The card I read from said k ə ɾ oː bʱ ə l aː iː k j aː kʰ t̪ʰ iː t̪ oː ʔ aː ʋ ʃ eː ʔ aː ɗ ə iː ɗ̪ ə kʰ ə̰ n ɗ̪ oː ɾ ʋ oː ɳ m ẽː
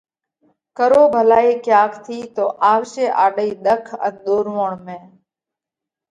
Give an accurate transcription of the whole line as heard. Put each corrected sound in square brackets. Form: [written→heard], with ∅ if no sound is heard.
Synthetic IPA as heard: k ə ɾ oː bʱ ə l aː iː k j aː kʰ t̪ʰ iː t̪ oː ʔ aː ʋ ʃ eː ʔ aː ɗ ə iː ɗ̪ ə kʰ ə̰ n ɗ̪ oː ɾ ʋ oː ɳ m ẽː